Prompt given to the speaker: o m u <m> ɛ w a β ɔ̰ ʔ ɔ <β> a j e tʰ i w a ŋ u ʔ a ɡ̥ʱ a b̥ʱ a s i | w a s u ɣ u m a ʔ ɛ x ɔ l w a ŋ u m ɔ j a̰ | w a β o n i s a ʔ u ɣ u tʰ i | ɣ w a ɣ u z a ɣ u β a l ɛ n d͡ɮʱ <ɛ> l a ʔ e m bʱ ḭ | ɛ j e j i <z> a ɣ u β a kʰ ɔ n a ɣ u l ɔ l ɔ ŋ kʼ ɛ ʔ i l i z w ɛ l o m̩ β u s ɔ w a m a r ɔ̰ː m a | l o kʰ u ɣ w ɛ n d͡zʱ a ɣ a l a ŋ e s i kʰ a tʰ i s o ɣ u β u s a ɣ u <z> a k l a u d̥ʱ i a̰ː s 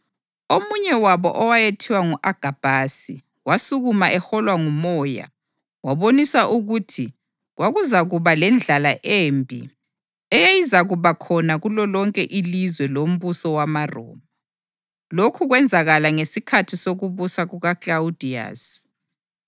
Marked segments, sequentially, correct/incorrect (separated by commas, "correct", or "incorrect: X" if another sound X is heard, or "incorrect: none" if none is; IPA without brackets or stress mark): incorrect: ɲ, incorrect: w, incorrect: a, correct, incorrect: ɣ